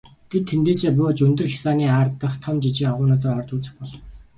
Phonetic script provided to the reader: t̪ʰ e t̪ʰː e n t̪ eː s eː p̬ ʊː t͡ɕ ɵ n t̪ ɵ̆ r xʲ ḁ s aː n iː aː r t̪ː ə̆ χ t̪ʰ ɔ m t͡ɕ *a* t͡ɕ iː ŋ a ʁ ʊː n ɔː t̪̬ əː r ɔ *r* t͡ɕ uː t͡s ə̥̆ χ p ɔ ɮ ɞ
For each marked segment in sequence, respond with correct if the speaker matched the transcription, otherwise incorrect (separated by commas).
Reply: incorrect, correct